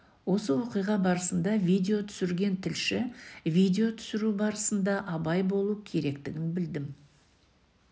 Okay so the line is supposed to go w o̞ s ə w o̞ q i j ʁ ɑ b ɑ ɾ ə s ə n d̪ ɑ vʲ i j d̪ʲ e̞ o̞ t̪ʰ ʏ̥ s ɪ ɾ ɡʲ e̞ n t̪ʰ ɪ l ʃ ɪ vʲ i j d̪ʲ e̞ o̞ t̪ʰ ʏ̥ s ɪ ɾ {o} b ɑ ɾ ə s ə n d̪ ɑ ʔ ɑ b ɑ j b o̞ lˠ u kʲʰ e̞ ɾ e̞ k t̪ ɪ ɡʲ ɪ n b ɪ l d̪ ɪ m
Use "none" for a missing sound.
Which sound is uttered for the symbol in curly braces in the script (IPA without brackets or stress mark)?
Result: u